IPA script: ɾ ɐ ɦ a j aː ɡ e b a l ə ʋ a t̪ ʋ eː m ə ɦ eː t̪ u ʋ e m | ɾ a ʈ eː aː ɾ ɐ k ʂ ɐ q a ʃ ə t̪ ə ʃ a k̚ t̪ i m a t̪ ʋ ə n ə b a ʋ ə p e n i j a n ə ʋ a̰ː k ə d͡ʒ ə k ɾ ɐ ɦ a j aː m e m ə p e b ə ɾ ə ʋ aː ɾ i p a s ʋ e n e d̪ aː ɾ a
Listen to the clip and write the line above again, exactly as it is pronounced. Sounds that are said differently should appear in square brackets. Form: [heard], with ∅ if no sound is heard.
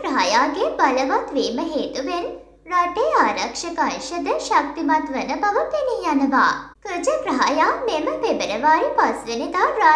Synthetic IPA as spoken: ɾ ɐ ɦ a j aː ɡ e b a l ə ʋ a t̪ ʋ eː m ə ɦ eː t̪ u ʋ e [n] | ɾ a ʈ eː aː ɾ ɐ k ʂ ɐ [k] a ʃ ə [d̪] ə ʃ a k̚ t̪ i m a t̪ ʋ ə n ə b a ʋ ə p e n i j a n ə ʋ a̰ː k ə d͡ʒ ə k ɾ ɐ ɦ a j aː m e m ə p e b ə ɾ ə ʋ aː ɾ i p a s ʋ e n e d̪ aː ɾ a